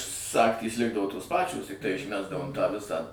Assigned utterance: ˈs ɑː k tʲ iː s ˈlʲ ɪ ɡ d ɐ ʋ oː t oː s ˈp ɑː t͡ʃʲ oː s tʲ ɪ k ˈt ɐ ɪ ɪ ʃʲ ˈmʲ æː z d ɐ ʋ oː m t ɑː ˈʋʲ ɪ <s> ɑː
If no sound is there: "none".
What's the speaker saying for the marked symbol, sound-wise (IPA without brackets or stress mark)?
s